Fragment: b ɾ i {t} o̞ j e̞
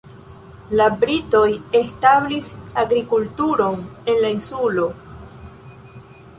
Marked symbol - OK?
yes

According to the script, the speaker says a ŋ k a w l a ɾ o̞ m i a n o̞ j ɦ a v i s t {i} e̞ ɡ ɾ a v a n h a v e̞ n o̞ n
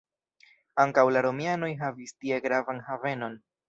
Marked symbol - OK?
yes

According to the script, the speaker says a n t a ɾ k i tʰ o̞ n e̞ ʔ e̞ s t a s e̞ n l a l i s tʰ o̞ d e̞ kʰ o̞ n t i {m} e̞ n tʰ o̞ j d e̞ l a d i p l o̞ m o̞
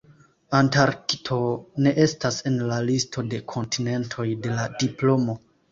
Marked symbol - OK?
no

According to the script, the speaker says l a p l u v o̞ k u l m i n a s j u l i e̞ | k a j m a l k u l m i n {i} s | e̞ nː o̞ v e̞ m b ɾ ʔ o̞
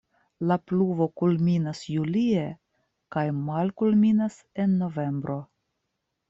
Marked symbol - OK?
no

